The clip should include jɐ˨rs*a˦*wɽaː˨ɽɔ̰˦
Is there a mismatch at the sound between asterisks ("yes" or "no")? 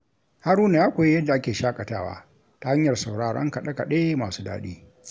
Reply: yes